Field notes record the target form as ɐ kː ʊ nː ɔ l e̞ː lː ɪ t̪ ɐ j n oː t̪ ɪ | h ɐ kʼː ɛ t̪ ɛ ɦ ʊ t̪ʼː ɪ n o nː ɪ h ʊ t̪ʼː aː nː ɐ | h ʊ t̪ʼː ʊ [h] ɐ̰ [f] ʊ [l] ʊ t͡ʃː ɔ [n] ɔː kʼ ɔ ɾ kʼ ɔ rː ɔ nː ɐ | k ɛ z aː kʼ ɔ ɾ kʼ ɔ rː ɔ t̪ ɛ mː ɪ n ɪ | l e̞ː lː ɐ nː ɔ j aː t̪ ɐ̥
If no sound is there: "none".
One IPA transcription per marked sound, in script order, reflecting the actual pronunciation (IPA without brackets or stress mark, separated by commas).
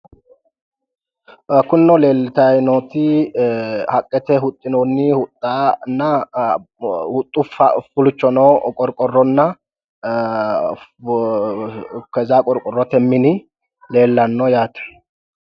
f, f, l, n